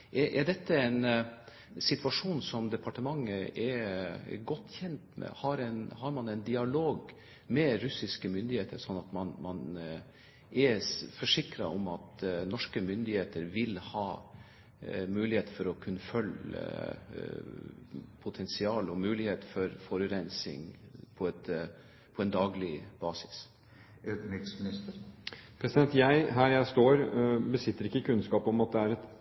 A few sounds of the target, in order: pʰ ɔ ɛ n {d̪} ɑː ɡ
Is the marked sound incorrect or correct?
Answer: correct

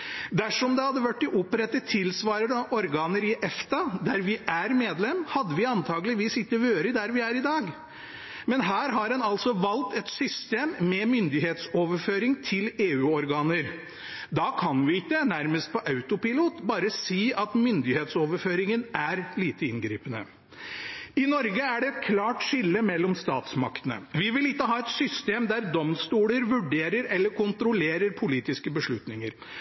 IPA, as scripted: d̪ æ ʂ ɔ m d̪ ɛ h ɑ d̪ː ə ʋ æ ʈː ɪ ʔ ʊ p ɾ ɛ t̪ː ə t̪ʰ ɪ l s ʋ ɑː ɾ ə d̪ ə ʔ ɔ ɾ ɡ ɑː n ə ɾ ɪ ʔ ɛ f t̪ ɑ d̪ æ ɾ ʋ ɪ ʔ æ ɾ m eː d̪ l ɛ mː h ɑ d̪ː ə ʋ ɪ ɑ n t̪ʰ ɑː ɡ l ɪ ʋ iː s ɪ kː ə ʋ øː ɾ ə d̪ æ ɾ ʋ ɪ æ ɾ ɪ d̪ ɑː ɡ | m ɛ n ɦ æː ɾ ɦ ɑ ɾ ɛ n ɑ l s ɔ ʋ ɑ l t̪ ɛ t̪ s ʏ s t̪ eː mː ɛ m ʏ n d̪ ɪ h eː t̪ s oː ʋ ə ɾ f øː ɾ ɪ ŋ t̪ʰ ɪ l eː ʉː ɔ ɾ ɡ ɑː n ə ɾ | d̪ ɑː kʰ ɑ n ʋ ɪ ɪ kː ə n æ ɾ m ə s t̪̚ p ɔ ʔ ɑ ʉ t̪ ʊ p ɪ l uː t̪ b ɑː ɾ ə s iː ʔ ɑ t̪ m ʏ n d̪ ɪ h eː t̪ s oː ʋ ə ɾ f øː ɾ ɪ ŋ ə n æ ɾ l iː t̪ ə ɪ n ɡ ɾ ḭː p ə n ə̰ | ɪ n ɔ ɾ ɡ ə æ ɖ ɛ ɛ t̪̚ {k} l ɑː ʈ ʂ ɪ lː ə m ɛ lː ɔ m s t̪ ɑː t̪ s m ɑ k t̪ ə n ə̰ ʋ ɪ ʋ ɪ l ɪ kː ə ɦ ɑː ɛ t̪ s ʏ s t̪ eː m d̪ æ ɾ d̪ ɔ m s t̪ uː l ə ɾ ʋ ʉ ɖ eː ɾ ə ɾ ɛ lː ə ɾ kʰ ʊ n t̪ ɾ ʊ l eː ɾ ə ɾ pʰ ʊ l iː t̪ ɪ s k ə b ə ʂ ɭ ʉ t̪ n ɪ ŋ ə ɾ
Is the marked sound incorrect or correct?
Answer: incorrect: kʰ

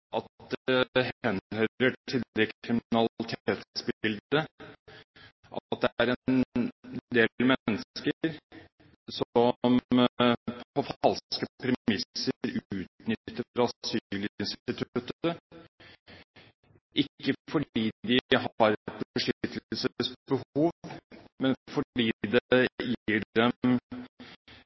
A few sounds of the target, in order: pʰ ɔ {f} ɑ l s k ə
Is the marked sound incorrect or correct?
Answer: correct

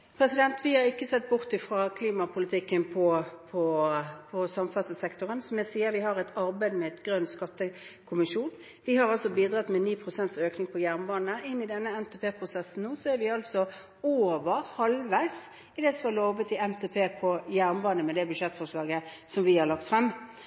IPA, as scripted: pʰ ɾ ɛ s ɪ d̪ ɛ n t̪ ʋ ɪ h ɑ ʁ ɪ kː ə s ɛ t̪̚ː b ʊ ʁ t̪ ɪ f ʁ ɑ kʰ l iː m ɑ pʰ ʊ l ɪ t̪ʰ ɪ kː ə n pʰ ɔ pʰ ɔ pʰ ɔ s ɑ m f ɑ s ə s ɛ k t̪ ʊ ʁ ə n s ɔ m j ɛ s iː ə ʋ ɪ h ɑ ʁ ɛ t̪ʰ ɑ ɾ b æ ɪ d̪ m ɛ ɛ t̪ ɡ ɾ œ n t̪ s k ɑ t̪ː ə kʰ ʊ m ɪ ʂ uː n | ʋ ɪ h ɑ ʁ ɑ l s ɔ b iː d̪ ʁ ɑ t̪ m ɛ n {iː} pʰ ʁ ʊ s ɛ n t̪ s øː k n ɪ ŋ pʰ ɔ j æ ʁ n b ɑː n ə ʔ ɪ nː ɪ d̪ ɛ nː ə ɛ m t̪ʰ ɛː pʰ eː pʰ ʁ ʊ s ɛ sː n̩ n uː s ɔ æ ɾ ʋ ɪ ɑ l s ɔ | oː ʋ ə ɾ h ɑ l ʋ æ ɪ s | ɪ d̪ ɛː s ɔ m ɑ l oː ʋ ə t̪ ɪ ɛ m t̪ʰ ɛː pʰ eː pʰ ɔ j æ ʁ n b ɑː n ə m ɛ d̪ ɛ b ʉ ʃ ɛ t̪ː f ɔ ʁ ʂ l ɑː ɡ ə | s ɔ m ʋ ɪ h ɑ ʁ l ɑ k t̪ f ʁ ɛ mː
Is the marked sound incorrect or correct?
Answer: correct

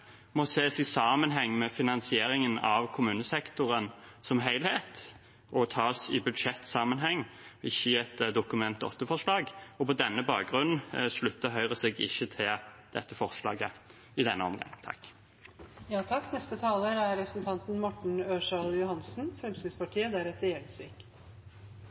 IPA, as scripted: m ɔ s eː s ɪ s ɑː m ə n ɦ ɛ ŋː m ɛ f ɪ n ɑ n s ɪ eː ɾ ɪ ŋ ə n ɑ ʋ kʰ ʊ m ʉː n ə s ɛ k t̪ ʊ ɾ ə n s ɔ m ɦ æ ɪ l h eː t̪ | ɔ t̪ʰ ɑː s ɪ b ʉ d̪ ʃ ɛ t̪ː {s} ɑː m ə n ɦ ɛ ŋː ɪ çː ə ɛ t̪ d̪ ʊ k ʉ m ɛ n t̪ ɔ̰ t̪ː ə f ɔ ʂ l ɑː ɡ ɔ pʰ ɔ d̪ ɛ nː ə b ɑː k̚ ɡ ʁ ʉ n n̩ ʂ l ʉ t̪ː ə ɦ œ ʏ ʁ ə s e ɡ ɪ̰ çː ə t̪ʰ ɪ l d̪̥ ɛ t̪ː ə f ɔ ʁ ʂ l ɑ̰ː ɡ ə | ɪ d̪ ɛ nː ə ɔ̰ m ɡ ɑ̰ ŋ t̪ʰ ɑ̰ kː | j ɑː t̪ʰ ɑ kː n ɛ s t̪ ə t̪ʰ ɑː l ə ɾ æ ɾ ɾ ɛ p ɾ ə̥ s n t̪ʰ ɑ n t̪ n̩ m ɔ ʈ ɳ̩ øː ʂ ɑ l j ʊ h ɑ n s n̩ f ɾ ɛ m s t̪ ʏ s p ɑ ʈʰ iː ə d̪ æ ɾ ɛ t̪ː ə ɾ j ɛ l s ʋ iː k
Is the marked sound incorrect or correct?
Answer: correct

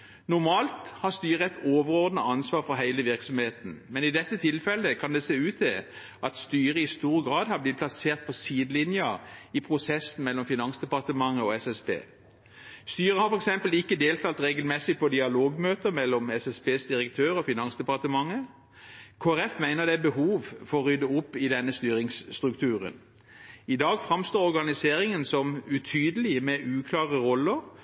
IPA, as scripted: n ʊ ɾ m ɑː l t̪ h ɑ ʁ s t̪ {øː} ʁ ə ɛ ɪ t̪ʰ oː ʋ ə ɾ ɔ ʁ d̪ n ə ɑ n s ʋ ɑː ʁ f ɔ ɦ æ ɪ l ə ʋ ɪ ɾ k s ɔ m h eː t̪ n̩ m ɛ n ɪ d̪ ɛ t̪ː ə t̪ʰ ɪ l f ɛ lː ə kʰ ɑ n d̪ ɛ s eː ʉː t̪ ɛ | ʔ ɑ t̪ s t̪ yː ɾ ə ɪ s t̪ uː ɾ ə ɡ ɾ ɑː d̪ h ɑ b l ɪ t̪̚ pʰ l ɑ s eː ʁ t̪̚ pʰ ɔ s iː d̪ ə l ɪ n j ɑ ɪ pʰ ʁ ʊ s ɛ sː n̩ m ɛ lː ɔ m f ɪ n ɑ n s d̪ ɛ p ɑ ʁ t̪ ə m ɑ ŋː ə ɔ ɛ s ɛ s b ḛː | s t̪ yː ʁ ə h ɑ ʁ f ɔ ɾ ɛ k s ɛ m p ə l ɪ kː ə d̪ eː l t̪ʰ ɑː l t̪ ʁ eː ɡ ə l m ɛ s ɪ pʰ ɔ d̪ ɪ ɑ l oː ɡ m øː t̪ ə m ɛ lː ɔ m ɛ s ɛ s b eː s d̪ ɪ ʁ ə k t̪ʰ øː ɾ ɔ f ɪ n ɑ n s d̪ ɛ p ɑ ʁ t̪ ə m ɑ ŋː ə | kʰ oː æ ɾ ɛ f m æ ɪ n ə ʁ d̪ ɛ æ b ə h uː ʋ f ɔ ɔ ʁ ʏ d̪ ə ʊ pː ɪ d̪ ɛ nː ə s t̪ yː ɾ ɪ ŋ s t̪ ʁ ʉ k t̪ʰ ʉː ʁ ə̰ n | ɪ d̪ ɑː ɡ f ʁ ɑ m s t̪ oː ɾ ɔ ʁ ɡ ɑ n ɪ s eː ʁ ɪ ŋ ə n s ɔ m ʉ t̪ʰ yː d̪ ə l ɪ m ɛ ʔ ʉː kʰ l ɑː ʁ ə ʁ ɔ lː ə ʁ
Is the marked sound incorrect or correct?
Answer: incorrect: yː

